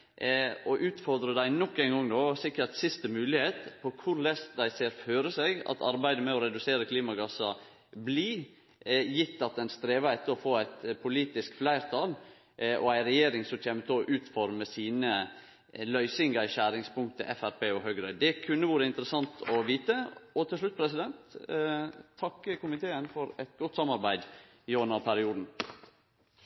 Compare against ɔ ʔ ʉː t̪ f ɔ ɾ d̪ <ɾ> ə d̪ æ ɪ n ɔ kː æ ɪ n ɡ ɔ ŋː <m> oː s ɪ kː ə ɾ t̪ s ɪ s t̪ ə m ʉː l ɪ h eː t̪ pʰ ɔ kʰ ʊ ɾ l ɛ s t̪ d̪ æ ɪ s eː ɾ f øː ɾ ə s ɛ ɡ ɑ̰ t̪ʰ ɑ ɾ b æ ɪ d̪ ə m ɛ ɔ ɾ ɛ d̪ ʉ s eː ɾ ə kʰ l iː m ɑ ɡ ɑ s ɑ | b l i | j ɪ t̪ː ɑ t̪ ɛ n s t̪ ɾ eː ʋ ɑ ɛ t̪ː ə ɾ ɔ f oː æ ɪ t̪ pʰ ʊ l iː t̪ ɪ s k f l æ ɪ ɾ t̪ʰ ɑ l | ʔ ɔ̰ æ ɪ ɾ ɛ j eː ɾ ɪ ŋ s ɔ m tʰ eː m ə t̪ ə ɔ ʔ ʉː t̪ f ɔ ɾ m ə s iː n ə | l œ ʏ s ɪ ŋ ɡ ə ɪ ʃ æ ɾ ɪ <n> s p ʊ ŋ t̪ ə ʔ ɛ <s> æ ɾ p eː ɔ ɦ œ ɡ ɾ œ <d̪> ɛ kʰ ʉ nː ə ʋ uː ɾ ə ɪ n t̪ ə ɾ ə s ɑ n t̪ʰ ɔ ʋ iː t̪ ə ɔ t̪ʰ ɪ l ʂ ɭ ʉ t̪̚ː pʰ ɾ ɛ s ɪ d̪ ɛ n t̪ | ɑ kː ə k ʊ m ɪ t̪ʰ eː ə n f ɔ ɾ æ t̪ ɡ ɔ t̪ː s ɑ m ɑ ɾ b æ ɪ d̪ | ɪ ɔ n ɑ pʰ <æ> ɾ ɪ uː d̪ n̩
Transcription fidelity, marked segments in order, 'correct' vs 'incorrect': correct, incorrect: n, incorrect: ŋ, incorrect: f, correct, correct

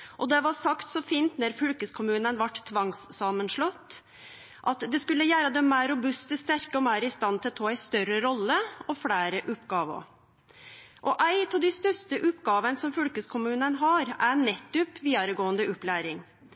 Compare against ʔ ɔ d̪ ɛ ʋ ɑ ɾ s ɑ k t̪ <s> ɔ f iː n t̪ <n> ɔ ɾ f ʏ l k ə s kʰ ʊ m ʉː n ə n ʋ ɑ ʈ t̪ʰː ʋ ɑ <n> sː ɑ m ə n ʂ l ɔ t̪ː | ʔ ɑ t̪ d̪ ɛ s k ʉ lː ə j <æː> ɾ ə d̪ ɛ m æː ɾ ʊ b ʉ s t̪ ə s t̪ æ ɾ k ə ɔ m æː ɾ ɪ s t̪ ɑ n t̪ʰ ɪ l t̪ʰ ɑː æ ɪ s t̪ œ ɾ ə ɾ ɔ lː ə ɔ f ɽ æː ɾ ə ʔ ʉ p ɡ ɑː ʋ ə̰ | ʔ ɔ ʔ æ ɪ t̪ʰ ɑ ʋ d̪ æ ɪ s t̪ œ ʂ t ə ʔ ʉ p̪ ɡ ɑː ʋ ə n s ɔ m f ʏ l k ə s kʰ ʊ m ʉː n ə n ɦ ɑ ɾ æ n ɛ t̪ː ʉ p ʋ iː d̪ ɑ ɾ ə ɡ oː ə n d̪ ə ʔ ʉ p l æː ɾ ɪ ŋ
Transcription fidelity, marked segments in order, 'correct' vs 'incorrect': correct, correct, incorrect: ŋ, correct

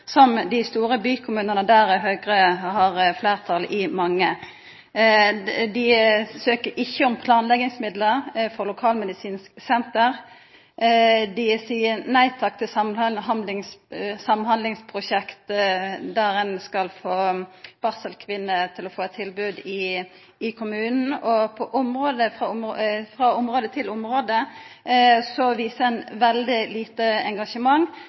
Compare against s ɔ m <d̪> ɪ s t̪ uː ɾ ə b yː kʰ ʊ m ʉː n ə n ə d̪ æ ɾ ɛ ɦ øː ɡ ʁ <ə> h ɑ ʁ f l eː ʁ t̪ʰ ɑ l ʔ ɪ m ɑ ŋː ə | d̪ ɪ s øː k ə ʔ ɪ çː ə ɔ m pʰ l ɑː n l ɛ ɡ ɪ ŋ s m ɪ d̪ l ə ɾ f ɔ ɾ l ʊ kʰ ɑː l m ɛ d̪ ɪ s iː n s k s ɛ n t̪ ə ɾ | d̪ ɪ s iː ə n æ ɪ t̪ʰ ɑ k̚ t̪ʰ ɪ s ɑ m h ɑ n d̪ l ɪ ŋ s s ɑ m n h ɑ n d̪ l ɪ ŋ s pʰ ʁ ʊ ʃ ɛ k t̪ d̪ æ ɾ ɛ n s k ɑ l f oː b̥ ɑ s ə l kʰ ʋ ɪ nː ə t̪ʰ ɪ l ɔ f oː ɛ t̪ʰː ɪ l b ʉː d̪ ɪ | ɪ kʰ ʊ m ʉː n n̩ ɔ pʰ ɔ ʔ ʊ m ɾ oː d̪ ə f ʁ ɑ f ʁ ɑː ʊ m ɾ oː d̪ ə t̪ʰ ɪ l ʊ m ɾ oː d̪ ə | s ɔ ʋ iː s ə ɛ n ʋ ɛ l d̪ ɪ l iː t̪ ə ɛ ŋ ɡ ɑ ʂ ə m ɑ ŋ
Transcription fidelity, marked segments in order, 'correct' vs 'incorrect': correct, correct

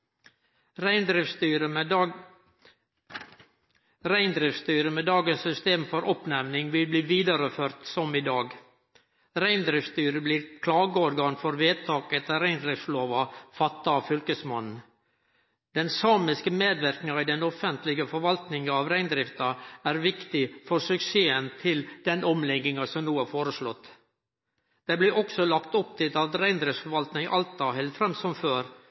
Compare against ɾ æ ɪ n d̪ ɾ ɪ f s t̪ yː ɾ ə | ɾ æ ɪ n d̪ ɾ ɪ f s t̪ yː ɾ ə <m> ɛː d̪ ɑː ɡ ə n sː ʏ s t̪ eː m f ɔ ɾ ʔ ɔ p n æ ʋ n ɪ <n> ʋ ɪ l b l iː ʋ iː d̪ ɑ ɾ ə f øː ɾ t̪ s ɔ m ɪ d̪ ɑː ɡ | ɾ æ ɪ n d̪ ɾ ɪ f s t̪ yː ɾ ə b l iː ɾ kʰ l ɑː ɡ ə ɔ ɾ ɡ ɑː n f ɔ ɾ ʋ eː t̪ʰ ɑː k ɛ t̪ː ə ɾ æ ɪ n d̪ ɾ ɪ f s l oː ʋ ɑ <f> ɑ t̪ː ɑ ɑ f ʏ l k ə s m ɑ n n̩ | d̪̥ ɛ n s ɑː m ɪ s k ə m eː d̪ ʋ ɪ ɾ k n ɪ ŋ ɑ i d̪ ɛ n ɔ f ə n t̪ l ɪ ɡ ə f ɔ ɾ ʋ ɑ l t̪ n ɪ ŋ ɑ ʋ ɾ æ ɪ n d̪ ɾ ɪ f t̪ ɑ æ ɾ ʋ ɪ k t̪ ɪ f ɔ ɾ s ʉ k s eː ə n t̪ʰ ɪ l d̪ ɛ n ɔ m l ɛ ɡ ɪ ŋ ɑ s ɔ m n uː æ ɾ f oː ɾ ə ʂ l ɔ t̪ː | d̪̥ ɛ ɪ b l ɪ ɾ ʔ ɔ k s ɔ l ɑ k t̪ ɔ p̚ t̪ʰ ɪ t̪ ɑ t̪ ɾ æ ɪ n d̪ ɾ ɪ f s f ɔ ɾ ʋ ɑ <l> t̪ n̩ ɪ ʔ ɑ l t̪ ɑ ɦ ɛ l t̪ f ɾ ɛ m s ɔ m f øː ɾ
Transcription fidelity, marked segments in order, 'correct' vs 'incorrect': correct, incorrect: ŋ, correct, correct

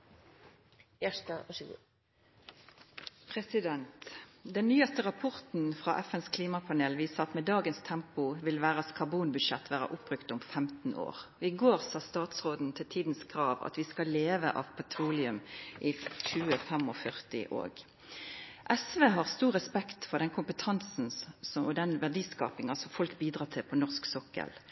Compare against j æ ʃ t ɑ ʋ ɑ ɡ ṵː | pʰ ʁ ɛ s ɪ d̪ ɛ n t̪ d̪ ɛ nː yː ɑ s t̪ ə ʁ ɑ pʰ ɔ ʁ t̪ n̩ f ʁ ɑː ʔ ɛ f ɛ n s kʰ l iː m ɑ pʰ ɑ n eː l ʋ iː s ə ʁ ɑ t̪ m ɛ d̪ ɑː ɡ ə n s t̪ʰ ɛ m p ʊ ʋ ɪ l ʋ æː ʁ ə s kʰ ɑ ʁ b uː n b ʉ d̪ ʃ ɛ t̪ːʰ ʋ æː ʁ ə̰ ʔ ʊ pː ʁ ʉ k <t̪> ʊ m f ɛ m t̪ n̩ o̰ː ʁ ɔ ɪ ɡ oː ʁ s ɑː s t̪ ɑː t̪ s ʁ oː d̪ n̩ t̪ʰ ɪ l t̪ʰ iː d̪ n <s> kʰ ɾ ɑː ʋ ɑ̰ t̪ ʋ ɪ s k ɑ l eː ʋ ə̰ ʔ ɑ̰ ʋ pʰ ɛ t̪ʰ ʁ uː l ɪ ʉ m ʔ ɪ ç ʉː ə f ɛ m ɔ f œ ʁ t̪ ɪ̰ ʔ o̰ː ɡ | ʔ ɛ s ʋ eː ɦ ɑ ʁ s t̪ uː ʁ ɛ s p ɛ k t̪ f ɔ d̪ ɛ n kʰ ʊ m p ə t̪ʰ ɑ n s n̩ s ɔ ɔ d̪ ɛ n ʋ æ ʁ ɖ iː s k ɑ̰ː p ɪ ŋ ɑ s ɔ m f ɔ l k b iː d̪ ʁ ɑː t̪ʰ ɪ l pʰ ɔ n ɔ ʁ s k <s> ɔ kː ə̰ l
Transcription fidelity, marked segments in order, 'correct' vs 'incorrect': correct, correct, correct

